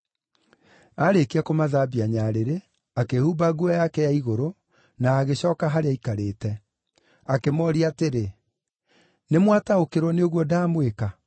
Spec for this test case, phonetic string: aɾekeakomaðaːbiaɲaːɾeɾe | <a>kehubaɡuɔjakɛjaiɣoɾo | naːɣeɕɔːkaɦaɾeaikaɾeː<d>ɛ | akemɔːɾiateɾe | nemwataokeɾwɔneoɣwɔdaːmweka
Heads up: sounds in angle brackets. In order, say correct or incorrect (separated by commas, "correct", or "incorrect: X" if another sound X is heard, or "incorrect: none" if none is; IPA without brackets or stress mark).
correct, incorrect: t